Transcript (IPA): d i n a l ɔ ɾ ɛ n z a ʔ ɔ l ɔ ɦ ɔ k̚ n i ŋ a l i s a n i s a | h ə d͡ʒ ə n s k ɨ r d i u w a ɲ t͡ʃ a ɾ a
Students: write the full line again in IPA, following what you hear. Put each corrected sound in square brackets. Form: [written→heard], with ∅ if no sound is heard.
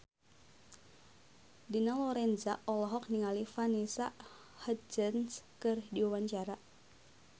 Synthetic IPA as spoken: d i n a l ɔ ɾ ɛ n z a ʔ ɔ l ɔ ɦ ɔ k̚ n i ŋ a l i [s→f] a n i s a | h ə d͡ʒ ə n s k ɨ r d i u w a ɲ t͡ʃ a ɾ a